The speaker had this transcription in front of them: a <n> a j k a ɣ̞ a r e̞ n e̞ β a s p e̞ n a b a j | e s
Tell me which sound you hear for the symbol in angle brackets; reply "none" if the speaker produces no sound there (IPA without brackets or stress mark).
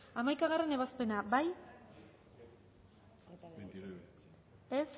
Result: m